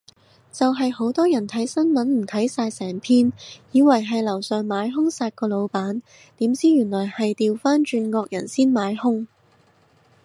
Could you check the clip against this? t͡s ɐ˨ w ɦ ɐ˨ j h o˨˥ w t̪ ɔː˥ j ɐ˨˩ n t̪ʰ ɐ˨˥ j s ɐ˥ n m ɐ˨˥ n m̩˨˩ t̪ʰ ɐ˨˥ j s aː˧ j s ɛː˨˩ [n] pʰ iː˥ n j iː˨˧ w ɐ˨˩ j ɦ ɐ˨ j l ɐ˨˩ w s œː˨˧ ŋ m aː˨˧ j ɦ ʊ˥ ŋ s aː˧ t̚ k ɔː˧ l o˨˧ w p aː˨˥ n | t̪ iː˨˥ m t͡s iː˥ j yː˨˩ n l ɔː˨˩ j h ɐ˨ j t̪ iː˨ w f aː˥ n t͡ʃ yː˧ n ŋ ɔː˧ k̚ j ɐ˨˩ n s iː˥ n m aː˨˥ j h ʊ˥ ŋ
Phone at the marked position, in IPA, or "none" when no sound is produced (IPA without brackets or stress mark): ŋ